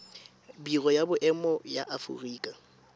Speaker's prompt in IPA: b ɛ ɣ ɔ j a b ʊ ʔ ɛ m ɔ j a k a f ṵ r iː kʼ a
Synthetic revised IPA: b i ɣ ɔ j a b ʊ ʔ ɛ m ɔ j a ʔ a f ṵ r iː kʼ a